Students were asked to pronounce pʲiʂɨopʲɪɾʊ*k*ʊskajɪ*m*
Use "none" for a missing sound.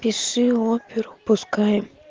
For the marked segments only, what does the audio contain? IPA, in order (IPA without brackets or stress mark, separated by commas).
p, m